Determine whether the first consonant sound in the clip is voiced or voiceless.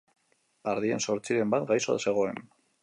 voiced